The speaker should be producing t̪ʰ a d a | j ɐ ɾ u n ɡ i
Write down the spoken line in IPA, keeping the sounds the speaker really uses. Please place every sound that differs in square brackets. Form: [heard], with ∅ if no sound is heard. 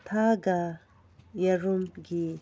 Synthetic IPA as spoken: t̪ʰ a [ɡ] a | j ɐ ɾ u [m] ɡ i